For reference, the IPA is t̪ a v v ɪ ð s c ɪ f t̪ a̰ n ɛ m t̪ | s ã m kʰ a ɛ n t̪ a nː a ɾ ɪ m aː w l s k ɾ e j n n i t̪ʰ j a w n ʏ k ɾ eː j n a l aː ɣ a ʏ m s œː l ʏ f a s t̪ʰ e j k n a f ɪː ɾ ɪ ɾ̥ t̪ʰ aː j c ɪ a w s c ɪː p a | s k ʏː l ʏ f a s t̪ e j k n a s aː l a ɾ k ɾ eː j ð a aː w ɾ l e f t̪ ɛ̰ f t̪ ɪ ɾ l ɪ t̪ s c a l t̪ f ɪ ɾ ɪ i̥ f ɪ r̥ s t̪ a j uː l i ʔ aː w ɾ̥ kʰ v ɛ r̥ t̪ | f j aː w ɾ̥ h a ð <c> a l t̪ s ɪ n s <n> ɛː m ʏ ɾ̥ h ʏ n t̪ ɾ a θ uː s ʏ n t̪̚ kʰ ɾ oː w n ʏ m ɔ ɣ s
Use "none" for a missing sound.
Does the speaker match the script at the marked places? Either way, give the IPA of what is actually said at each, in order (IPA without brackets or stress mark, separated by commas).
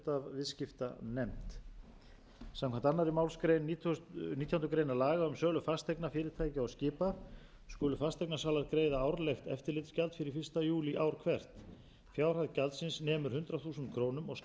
c, n